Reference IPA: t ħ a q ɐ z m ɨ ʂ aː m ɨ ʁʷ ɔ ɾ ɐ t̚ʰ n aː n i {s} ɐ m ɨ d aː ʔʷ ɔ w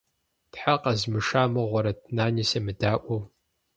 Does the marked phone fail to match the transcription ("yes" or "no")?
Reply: no